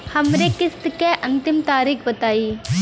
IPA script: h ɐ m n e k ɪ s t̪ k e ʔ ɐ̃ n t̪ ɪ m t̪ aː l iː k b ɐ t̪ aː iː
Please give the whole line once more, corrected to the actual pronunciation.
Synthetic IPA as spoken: h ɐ m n e k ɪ s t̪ k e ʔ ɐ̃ n t̪ ɪ m t̪ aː ɾ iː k b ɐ t̪ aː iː

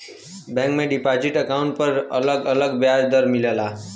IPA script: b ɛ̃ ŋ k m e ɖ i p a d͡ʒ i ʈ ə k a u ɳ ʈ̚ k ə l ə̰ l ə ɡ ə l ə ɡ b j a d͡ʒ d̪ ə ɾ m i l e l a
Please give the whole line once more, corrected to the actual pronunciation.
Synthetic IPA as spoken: b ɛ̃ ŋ k m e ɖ i p a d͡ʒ i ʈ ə k a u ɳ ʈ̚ p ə ɾ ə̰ l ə ɡ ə l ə ɡ b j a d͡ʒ d̪ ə ɾ m i l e l a

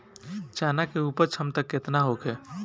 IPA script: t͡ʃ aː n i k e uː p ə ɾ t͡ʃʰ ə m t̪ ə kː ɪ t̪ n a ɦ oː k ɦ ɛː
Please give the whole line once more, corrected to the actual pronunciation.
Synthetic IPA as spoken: t͡ʃ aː n a k e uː p ə ɾ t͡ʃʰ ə m t̪ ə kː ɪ t̪ n a ɦ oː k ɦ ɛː

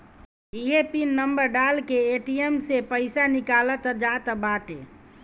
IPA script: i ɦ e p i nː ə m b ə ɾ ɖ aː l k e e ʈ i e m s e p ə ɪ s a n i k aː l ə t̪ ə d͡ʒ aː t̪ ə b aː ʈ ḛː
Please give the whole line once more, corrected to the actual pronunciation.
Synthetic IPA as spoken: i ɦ e p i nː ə m b ə ɾ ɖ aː l k e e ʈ i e m s e p ə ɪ s a n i k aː l ə t̪ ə d͡ʒ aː t̪ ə b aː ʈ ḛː

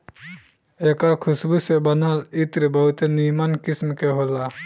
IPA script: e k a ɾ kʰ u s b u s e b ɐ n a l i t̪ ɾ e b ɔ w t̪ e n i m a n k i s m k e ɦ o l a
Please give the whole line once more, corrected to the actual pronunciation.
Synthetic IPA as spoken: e k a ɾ kʰ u s b u s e b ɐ n a l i t̪ ɾ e b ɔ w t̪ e n i m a n k i s m k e ɦ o l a

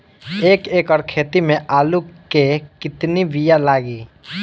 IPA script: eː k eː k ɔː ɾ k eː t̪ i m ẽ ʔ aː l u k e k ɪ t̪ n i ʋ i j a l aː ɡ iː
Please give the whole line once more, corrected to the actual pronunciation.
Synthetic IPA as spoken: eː k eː k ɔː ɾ kʰ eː t̪ i m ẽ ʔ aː l u k e k ɪ t̪ n i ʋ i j a l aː ɡ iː

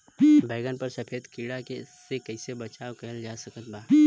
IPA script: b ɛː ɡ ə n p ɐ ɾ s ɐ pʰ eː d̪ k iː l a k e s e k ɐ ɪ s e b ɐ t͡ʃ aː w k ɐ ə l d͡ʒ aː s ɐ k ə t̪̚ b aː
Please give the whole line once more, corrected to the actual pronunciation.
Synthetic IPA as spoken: b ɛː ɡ ə n p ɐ ɾ s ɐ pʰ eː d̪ k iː ɽ a k e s e k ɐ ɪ s e b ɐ t͡ʃ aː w k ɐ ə l d͡ʒ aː s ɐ k ə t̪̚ b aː

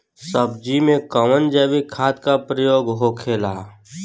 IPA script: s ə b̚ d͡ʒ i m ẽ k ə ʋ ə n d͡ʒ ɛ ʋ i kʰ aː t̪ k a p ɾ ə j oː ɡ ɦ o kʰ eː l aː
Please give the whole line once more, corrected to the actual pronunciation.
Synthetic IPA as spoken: s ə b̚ d͡ʒ i m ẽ k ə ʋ ə n d͡ʒ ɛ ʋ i kʰ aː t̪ k a p ɾ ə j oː ɡ ɦ o kʰ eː l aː

